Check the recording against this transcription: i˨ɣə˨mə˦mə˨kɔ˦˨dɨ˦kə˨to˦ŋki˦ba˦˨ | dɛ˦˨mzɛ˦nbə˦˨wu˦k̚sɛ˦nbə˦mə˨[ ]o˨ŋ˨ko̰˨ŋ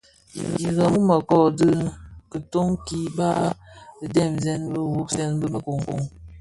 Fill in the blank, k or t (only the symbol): k